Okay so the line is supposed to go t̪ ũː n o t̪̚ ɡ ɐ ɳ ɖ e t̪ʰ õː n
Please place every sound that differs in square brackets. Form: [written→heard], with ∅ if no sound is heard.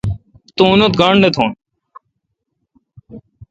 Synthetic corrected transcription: t̪ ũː n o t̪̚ ɡ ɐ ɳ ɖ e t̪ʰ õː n